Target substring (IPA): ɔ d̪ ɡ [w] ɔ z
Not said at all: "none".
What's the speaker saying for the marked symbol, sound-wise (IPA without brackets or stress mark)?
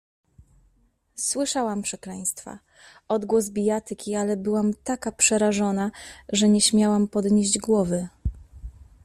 w